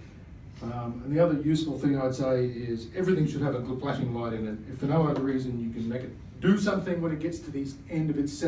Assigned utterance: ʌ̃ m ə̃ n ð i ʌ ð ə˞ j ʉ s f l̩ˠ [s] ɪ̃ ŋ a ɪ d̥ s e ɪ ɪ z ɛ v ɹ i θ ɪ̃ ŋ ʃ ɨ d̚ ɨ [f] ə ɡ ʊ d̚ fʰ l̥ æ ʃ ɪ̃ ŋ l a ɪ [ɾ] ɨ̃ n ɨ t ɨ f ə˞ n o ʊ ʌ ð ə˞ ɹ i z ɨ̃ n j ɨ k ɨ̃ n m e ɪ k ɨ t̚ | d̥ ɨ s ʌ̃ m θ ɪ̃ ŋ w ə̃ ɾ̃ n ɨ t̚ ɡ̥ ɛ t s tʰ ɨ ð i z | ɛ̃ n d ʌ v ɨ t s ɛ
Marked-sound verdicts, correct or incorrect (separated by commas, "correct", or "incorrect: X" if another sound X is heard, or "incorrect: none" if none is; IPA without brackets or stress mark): incorrect: θ, incorrect: v, correct